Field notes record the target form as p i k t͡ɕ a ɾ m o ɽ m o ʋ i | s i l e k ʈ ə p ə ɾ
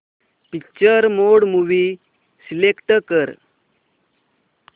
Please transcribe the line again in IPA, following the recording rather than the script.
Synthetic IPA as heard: p i k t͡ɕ ə ɾ m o ɽ m u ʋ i | s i l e k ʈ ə k ə ɾ